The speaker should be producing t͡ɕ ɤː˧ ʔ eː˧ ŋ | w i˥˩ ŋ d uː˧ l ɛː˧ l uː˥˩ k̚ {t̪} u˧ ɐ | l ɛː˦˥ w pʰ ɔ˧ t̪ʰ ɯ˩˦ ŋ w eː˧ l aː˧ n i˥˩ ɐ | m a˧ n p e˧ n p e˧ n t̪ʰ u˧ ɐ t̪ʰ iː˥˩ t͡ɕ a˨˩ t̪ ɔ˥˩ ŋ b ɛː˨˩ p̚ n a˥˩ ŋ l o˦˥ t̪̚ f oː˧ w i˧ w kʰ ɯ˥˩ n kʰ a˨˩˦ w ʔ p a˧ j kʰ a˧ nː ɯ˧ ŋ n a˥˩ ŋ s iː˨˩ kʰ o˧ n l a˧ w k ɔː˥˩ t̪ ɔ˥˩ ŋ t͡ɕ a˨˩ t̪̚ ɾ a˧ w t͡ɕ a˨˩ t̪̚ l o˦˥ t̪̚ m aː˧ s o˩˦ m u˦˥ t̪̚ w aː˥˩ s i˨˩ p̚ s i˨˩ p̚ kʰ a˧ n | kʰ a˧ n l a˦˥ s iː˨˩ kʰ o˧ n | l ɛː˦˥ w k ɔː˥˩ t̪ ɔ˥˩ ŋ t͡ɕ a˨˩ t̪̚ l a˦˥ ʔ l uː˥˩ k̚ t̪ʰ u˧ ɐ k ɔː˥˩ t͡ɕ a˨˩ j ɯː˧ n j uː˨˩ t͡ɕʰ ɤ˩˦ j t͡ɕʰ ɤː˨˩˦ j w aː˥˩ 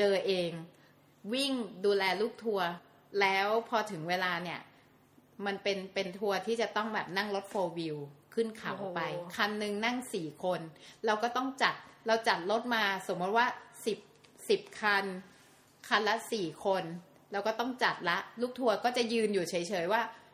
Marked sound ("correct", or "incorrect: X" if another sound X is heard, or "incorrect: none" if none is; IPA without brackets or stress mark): incorrect: t̪ʰ